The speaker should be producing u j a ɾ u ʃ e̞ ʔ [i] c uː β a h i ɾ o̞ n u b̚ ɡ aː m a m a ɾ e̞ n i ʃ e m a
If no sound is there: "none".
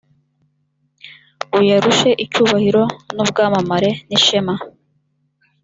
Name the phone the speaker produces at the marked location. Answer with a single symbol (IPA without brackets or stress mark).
i